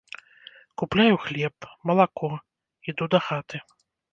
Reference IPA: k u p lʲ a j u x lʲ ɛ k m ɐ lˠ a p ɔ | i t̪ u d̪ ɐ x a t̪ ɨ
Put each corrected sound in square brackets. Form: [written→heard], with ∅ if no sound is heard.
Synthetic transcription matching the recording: k u p lʲ a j u x lʲ ɛ [k→p] m ɐ lˠ a [p→k] ɔ | i [t̪→d̪] u d̪ ɐ x a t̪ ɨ